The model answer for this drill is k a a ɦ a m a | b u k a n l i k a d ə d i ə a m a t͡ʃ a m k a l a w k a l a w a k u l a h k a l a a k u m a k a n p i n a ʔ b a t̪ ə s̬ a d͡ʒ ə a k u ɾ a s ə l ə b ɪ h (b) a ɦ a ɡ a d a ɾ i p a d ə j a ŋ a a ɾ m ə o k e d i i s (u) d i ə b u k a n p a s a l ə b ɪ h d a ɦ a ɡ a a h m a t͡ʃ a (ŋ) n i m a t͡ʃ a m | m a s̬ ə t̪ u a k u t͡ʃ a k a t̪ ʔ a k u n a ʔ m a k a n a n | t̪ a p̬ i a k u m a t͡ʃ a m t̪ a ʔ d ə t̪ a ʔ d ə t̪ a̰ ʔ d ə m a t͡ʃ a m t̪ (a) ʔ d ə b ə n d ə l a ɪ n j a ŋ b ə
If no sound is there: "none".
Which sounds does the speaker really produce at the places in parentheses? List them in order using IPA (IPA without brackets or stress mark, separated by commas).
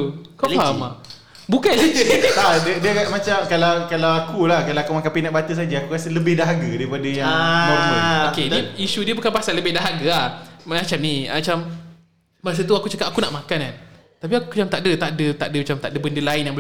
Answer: d, u, m, a